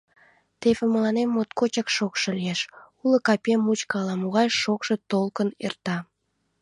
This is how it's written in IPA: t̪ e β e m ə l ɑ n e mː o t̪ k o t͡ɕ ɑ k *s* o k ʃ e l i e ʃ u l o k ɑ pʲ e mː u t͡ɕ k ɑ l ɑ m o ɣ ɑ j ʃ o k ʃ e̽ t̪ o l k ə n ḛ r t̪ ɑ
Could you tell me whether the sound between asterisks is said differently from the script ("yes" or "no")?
yes